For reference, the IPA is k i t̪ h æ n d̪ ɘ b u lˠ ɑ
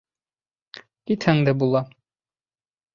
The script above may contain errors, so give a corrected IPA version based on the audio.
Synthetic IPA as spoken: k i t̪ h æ ŋ d̪ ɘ b u lˠ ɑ